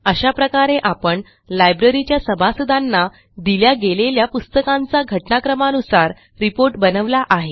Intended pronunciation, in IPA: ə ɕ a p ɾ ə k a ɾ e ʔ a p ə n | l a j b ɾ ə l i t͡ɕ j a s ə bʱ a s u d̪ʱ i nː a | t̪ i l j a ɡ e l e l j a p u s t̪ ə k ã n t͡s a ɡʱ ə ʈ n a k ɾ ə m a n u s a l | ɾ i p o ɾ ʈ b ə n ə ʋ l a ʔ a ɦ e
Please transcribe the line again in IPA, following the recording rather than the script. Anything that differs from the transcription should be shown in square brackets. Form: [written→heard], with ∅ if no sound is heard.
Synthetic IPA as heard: ə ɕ a p ɾ ə k a ɾ e ʔ a p ə [n→ɳ] | l a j b ɾ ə [l→ɾ] i t͡ɕ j a s ə bʱ a s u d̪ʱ [i→a] nː a | [t̪→d̪] i l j a ɡ e l e l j a p u s t̪ ə k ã n t͡s a ɡʱ ə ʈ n a k ɾ ə m a n u s a [l→ɾ] | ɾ i p o ɾ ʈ b ə n ə ʋ l a ʔ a ɦ e